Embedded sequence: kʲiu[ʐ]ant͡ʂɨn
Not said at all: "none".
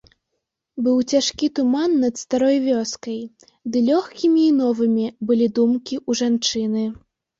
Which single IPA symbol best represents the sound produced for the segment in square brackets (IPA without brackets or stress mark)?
ʐ